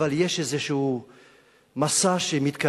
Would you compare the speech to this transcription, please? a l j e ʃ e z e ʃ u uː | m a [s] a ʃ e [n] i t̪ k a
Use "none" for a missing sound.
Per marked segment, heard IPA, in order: s, m

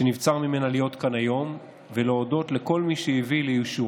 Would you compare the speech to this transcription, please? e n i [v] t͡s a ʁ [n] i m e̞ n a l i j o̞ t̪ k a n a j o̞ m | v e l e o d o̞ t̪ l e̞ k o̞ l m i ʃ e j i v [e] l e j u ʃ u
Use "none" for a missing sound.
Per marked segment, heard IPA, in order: v, m, i

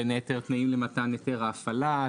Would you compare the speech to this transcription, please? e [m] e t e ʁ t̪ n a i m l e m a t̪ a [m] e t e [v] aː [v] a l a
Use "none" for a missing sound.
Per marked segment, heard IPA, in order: n, n, ʁ, f

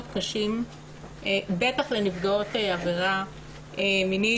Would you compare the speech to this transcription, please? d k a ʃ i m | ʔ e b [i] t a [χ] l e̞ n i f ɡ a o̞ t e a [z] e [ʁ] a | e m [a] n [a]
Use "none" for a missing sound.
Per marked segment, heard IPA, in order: e, χ, v, ʁ, i, i

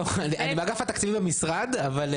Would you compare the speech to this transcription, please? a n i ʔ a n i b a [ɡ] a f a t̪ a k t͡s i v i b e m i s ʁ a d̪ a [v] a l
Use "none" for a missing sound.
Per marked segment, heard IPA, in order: ɡ, v

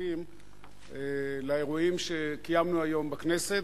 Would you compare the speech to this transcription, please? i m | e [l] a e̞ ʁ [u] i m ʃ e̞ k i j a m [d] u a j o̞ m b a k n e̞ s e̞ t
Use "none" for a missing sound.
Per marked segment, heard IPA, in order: l, u, n

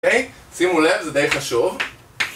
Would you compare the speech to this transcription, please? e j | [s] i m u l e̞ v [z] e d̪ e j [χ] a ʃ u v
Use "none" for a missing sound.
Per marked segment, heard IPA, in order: s, z, χ

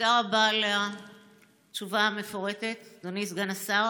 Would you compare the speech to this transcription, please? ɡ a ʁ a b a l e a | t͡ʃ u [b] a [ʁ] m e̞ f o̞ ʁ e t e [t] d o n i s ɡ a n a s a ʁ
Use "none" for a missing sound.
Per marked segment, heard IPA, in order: v, none, t

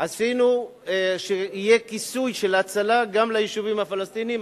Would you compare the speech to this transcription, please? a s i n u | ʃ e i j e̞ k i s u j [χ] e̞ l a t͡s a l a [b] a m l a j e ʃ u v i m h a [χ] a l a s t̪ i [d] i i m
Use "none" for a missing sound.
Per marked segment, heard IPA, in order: ʃ, ɡ, f, n

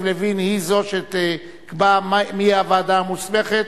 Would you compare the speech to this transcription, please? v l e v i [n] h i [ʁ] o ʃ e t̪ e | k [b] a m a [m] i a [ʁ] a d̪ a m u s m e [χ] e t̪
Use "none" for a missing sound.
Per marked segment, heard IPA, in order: n, z, b, m, v, χ

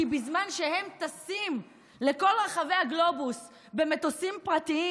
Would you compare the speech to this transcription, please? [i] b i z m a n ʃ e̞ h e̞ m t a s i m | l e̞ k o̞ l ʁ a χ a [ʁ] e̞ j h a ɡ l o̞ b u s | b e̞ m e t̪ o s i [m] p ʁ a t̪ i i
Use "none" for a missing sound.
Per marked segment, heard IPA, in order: i, v, m

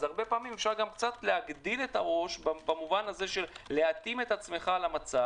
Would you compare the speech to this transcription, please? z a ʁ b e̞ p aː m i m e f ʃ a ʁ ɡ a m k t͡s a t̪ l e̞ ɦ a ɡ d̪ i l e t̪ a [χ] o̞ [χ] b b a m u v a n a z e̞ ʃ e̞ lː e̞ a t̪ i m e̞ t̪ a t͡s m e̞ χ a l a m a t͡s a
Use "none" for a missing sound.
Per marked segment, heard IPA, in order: ʁ, ʃ

